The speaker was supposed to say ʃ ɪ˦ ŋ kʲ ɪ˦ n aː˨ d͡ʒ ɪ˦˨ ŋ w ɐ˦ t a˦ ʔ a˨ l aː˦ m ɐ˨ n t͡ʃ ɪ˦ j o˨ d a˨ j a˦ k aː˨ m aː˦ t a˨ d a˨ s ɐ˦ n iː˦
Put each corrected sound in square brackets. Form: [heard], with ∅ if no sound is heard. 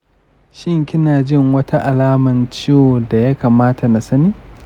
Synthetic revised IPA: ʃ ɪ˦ ŋ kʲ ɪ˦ n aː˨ d͡ʒ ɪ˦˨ ŋ w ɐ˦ t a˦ ʔ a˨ l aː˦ m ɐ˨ n t͡ʃ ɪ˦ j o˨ d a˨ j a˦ k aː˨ m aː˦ t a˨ [n] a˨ s ɐ˦ n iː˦